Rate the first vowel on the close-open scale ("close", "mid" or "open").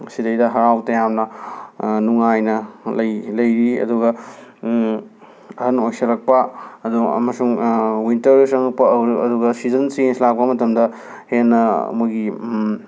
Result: close